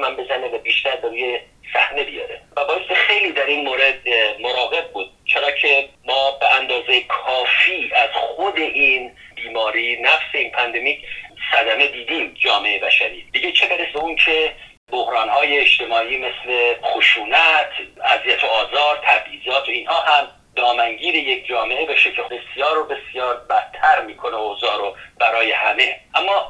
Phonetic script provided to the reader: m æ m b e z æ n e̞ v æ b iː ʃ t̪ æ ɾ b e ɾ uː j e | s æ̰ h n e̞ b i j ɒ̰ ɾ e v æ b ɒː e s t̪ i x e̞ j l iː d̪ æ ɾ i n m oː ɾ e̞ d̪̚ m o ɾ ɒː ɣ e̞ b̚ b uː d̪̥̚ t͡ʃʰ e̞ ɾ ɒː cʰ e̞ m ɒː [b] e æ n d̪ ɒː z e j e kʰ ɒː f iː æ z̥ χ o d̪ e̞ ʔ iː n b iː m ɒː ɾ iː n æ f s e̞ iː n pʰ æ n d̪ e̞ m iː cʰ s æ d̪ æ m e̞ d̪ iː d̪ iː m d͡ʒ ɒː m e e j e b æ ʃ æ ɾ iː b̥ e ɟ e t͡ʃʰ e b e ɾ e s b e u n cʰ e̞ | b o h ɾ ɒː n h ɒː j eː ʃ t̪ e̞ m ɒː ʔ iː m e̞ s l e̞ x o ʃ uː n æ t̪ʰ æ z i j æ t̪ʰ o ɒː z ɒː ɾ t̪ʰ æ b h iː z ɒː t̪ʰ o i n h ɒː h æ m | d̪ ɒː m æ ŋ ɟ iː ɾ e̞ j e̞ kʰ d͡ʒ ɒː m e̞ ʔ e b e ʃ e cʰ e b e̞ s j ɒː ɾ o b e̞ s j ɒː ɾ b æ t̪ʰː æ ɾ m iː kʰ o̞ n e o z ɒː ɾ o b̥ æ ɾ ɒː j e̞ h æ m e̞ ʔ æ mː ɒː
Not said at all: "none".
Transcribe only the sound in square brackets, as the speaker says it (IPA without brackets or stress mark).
b